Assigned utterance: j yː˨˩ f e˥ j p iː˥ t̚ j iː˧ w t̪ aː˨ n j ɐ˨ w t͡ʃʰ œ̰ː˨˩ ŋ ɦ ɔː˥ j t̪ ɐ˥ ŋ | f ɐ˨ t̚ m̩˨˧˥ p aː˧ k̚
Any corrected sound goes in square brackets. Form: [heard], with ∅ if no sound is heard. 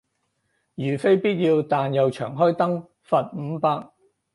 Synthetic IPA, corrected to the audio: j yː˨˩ f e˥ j p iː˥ t̚ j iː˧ w t̪ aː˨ n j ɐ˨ w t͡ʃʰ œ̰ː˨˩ ŋ ɦ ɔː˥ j t̪ ɐ˥ ŋ | f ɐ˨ t̚ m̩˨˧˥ p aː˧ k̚